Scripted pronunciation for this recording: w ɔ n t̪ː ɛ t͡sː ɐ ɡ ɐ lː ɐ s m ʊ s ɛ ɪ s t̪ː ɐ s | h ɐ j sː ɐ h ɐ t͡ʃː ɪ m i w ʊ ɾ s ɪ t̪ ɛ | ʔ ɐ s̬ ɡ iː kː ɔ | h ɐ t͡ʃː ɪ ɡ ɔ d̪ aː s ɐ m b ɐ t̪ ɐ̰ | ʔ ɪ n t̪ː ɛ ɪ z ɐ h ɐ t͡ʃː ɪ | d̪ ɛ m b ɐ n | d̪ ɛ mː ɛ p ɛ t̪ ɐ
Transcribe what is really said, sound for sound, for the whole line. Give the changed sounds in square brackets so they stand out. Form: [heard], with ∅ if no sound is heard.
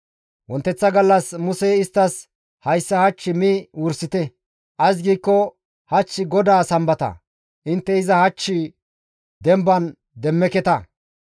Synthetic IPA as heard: w ɔ n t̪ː ɛ t͡sː ɐ ɡ ɐ lː ɐ s m ʊ s ɛ ɪ s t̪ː ɐ s | h ɐ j sː ɐ h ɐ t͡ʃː ɪ m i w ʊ ɾ s ɪ t̪ ɛ | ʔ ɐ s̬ ɡ iː kː ɔ | h ɐ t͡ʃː ɪ ɡ ɔ d̪ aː s ɐ m b ɐ t̪ ɐ̰ | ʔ ɪ n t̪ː ɛ ɪ z ɐ h ɐ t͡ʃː ɪ | d̪ ɛ m b ɐ n | d̪ ɛ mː ɛ [k] ɛ t̪ ɐ